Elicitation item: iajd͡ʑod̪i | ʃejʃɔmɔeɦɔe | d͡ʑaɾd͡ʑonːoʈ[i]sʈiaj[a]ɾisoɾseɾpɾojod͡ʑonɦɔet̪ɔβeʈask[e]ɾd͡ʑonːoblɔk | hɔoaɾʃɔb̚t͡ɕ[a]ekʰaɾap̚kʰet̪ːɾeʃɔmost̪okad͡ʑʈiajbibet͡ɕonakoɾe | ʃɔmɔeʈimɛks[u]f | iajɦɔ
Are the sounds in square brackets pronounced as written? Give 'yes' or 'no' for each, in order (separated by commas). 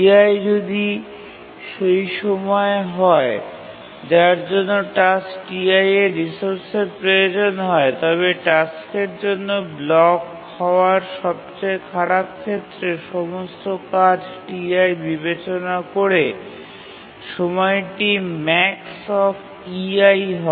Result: no, no, yes, yes, no